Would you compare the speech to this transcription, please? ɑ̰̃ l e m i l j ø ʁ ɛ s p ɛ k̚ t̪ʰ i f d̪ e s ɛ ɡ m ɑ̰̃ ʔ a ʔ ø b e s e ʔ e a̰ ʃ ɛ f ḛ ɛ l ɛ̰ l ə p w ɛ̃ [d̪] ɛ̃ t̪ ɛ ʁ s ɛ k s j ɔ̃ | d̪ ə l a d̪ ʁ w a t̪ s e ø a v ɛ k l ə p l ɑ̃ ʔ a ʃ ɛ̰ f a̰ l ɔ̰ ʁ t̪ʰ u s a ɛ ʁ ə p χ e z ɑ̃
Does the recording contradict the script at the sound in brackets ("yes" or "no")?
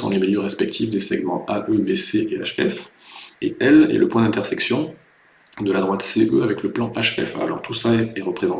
no